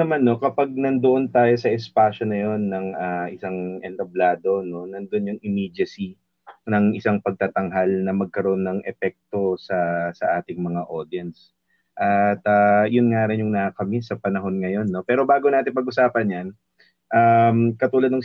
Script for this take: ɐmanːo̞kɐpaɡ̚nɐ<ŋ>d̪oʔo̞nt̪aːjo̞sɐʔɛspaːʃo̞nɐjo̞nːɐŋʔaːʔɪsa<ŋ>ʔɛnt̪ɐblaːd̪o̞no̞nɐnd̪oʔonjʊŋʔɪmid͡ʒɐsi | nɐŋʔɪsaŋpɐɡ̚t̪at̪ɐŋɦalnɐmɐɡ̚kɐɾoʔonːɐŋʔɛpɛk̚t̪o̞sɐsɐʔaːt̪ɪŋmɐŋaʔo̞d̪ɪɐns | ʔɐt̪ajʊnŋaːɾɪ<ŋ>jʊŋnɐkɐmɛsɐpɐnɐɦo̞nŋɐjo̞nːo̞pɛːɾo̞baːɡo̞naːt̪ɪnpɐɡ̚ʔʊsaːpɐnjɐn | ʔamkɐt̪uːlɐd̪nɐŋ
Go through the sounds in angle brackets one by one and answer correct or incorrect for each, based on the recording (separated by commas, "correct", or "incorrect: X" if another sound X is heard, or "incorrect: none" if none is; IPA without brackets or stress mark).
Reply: incorrect: n, correct, incorrect: n